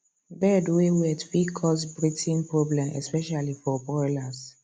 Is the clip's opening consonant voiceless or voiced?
voiced